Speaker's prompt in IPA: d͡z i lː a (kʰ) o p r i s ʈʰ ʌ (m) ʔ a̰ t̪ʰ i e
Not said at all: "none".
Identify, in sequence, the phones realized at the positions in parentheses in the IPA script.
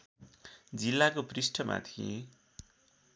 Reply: k, m

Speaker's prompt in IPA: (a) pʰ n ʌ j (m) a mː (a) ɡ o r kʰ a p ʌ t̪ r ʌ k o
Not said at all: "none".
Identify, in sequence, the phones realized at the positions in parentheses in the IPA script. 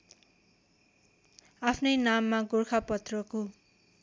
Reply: a, n, a

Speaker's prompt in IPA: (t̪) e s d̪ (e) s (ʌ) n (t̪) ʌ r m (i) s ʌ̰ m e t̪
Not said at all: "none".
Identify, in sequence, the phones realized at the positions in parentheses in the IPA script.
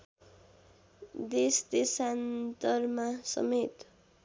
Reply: d̪, e, a, t̪, a

